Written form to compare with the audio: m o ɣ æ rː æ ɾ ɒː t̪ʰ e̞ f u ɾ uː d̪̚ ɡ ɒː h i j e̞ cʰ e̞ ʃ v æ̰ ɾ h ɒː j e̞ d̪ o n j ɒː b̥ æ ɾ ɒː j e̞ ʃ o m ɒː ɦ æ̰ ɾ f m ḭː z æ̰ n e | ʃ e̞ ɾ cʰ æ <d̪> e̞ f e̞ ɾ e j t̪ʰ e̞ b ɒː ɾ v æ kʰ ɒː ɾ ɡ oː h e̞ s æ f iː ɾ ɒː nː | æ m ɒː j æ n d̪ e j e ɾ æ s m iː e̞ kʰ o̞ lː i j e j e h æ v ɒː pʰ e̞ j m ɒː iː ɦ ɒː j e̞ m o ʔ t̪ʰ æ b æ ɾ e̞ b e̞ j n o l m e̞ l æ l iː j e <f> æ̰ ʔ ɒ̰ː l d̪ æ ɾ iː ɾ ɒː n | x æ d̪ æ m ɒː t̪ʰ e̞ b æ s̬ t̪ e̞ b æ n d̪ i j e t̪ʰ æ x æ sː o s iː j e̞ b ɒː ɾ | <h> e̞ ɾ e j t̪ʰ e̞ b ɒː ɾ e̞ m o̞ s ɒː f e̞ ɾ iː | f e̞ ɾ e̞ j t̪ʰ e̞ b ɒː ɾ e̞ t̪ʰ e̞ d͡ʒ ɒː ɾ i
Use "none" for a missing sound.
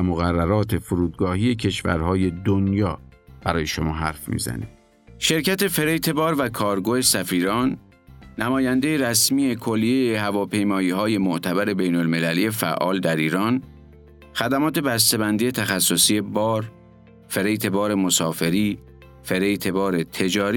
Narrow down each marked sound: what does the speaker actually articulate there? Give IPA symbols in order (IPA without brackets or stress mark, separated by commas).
t̪, f, f